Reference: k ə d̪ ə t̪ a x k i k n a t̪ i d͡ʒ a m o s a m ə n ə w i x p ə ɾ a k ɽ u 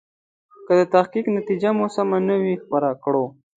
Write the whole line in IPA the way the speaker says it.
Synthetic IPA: k ə d̪ ə t̪ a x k i k n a t̪ i d͡ʒ a m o s a m a n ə w i x p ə ɾ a k ɽ o